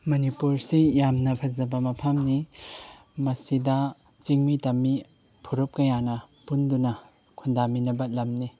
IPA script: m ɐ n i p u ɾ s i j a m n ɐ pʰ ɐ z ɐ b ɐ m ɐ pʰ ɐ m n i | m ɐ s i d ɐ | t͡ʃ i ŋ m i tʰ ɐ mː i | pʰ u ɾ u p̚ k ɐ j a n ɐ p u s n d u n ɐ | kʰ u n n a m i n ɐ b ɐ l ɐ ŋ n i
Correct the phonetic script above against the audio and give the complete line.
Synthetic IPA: m ɐ n i p u ɾ s i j a m n ɐ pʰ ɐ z ɐ b ɐ m ɐ pʰ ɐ m n i | m ɐ s i d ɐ | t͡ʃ i ŋ m i t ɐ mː i | pʰ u ɾ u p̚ k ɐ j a n ɐ p u n d u n ɐ | kʰ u n d a m i n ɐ b ɐ l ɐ m n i